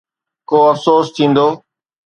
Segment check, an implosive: absent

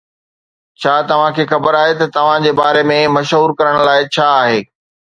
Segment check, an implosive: absent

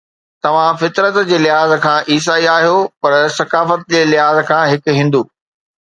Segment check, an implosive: absent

